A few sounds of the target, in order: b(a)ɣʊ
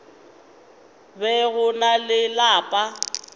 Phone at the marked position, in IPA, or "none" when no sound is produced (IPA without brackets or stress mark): ɛ